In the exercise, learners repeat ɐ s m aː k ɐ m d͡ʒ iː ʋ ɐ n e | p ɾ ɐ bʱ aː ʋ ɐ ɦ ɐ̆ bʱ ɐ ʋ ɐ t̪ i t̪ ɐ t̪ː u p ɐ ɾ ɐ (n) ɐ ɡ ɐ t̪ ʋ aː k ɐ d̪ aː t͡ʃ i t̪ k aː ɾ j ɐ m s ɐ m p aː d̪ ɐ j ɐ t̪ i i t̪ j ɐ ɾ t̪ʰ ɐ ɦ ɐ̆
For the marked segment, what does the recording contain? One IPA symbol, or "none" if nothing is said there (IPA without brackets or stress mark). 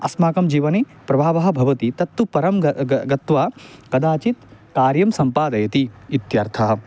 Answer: m